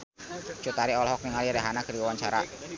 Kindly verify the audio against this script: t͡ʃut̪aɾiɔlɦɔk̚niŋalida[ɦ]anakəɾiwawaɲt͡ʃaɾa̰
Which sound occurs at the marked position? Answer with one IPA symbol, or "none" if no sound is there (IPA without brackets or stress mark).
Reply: ɦ